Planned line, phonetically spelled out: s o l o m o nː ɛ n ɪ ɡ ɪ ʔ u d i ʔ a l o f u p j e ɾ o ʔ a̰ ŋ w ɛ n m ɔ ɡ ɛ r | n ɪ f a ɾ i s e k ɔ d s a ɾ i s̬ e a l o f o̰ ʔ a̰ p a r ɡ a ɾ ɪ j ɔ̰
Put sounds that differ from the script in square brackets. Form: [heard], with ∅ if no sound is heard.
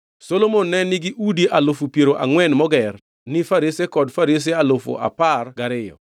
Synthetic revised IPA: s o l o m o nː ɛ n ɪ ɡ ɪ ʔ u d i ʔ a l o f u p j e ɾ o ʔ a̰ ŋ w ɛ n m ɔ ɡ ɛ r | n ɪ f a ɾ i s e k ɔ d [f] a ɾ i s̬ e a l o f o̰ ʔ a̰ p a r ɡ a ɾ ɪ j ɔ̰